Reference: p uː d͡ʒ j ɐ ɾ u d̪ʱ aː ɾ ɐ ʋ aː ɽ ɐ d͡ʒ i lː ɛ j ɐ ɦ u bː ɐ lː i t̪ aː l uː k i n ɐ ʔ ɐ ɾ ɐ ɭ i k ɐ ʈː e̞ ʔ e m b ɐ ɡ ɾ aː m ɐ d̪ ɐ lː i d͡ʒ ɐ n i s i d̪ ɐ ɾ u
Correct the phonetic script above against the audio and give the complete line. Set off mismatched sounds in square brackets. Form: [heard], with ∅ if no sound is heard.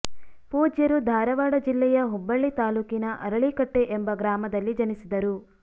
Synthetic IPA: p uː d͡ʒ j ɐ ɾ u d̪ʱ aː ɾ ɐ ʋ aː ɽ ɐ d͡ʒ i lː ɛ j ɐ ɦ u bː ɐ [ɭː] i t̪ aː l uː k i n ɐ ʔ ɐ ɾ ɐ ɭ i k ɐ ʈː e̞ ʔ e m b ɐ ɡ ɾ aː m ɐ d̪ ɐ lː i d͡ʒ ɐ n i s i d̪ ɐ ɾ u